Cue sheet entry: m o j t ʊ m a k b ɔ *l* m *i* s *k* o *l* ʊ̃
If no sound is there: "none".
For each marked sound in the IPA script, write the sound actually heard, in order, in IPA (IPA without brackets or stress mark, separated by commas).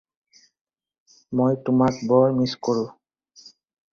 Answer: ɹ, i, k, ɹ